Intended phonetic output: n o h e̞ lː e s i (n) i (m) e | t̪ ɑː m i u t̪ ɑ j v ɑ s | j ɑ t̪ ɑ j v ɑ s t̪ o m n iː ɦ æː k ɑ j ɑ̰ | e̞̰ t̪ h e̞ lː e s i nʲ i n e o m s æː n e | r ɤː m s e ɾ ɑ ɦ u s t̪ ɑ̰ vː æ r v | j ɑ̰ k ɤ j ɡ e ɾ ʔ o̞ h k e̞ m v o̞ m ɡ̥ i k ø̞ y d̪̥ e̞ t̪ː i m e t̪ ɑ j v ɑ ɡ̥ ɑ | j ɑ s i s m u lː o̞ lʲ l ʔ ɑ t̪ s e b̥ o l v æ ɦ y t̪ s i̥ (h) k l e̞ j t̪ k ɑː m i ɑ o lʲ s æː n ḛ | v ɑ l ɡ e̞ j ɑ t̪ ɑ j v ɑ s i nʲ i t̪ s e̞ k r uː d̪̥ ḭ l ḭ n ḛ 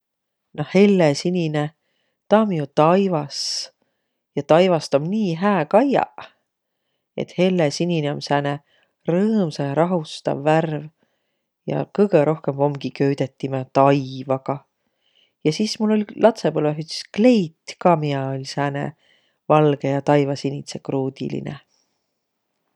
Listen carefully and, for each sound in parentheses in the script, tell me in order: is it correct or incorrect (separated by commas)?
correct, incorrect, incorrect